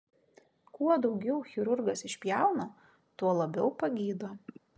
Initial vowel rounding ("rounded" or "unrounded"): rounded